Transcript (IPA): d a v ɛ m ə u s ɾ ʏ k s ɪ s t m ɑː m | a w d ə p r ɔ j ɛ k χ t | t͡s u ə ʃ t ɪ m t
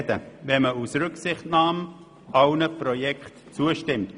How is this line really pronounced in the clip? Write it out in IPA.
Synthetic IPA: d ə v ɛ m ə u s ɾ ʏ k s ɪ χ t n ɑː m | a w n ə p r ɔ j ɛ k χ t | t͡s u ə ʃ t ɪ m t